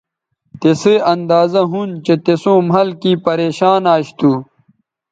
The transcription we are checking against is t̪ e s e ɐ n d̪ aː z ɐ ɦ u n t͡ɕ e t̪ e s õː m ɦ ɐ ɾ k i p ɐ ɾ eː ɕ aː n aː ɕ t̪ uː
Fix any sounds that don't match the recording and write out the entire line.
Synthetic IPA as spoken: t̪ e s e ɐ n d̪ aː z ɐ ɦ u n t͡ɕ e t̪ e s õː m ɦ ɐ l k i p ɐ ɾ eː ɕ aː n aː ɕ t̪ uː